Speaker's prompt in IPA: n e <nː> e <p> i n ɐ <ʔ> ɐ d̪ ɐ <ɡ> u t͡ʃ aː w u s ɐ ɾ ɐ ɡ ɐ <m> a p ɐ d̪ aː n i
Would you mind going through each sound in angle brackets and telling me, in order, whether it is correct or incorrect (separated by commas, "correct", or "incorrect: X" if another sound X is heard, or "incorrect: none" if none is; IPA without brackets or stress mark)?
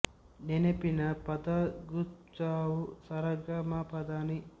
incorrect: n, correct, incorrect: p, correct, correct